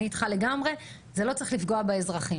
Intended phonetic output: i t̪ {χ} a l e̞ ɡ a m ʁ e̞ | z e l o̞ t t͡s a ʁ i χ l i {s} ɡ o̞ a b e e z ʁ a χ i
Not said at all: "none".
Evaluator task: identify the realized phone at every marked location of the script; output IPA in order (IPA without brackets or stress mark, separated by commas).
χ, f